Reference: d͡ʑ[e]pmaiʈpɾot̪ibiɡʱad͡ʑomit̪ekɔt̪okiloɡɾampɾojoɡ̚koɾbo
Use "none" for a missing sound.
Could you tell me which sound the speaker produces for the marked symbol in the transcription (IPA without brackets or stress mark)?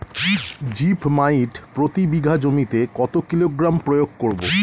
i